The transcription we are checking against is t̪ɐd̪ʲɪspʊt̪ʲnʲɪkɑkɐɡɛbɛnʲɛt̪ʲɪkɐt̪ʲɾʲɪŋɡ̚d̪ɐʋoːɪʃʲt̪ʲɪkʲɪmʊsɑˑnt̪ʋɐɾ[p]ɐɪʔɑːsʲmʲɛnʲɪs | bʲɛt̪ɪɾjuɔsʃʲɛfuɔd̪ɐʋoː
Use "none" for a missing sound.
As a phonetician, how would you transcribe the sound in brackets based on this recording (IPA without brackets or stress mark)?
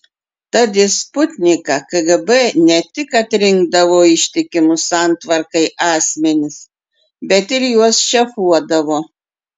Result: k